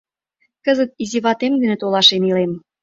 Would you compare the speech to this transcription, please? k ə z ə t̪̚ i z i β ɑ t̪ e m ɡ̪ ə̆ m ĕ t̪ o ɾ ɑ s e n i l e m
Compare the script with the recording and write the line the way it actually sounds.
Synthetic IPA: k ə z ə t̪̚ i z i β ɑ t̪ e m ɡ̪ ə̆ n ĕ t̪ o l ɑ ʃ e n i l e m